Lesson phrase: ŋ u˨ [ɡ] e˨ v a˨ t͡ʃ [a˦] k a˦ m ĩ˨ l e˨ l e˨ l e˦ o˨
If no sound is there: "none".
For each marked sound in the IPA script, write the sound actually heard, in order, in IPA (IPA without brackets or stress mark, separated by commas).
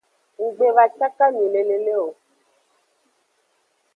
ɡ͡b, a˦